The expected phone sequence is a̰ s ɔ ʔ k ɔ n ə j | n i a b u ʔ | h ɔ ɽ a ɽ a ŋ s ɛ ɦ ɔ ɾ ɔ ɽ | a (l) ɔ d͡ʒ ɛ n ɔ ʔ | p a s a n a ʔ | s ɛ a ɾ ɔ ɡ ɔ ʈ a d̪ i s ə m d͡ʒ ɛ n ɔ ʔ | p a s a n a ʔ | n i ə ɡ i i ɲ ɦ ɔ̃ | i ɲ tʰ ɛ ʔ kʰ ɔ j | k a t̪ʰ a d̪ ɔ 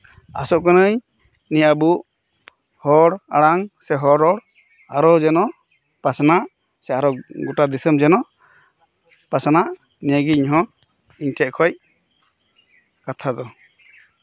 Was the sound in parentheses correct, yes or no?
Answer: no